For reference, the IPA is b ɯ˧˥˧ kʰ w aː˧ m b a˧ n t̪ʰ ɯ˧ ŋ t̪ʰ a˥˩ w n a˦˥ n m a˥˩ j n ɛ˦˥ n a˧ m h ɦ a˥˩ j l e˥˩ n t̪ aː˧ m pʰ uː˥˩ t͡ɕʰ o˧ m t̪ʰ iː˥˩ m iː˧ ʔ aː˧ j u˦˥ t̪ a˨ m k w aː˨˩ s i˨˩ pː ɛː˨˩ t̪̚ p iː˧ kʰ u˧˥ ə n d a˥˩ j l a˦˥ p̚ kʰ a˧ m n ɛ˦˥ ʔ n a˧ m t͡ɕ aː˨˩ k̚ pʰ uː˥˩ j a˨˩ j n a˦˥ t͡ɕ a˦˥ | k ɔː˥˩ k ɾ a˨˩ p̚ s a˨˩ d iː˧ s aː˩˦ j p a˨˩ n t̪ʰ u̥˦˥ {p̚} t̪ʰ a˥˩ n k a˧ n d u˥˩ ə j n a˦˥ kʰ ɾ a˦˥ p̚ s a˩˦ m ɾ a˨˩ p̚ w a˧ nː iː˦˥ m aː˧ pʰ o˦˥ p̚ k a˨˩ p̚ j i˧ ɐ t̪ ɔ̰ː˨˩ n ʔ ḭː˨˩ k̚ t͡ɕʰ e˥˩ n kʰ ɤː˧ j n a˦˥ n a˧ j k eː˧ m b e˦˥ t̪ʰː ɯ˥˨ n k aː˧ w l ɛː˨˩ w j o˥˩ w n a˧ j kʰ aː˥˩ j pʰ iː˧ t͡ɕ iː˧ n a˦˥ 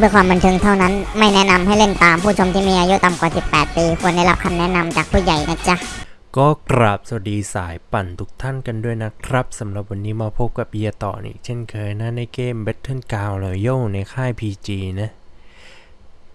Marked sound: incorrect: k̚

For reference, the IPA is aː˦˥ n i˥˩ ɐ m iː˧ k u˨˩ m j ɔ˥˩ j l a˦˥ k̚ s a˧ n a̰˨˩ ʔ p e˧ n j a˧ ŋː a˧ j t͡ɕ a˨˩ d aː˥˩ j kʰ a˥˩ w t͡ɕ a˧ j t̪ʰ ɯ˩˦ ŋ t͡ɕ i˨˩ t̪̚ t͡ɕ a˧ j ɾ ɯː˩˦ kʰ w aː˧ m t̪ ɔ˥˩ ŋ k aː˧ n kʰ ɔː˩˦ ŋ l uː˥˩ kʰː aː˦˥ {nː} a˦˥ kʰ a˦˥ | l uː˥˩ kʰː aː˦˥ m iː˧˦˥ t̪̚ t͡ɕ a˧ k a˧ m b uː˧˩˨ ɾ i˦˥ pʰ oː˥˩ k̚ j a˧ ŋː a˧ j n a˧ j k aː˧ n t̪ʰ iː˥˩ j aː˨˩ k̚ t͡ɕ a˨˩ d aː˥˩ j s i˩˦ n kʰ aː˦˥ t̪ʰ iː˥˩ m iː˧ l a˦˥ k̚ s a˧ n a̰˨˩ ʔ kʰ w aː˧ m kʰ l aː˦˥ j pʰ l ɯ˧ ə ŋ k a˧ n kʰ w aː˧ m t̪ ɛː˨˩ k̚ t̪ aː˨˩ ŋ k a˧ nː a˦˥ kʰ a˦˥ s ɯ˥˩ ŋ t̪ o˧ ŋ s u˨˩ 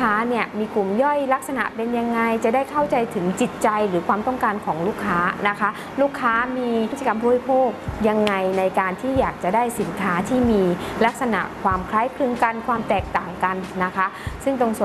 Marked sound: incorrect: n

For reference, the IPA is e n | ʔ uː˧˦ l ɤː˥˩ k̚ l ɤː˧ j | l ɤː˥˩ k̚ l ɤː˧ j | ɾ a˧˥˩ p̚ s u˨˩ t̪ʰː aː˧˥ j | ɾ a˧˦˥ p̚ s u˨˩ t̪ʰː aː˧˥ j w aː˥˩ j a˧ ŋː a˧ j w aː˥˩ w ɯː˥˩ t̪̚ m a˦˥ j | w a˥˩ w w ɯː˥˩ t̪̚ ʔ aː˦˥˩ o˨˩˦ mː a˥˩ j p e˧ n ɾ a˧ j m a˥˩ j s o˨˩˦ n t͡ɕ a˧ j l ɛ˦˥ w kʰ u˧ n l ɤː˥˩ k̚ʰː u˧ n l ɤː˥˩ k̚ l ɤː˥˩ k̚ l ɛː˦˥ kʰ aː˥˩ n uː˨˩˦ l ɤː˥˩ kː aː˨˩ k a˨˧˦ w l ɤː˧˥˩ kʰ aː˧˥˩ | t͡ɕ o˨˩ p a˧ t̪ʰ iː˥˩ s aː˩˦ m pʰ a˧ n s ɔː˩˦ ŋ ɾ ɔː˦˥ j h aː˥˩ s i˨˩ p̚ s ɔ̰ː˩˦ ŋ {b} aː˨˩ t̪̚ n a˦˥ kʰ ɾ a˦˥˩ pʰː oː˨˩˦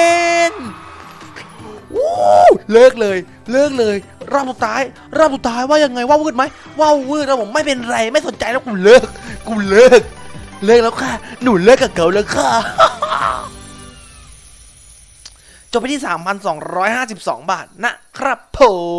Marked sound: correct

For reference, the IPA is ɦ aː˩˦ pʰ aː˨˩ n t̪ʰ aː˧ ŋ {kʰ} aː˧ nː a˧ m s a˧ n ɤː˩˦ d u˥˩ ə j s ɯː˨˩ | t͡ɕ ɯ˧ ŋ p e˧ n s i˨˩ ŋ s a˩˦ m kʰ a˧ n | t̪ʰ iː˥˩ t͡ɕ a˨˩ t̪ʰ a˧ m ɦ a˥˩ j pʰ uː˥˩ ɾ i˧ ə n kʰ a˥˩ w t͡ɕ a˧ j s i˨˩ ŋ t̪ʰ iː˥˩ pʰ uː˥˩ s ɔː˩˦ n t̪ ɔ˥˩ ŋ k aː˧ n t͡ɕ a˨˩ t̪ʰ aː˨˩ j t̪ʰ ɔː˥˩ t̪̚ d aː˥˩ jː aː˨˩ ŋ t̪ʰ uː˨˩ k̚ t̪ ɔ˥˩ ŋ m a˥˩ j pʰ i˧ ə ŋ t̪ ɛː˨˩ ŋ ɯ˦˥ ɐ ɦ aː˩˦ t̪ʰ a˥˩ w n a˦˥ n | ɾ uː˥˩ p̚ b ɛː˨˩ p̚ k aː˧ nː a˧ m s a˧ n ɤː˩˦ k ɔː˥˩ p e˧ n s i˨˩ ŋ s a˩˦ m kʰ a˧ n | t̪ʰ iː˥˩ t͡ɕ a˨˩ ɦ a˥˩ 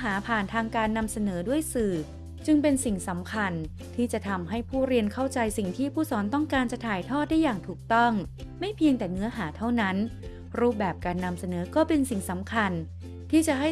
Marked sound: incorrect: k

